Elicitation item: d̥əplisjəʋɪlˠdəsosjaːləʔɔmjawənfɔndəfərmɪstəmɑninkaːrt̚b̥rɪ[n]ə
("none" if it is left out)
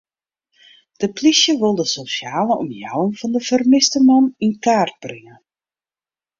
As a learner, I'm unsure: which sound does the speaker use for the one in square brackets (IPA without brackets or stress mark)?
ŋ